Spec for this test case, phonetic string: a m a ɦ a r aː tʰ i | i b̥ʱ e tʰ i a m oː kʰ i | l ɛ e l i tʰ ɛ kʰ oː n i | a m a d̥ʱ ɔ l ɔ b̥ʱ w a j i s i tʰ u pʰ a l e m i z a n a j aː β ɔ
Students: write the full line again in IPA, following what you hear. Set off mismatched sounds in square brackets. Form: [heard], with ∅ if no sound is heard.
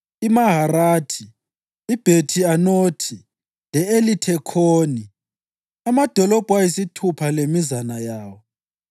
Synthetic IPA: [i] m a ɦ a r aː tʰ i | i b̥ʱ e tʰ i a [n] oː [tʰ] i | l ɛ e l i tʰ ɛ kʰ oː n i | a m a d̥ʱ ɔ l ɔ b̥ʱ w a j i s i tʰ u pʰ a l e m i z a n a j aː [w] ɔ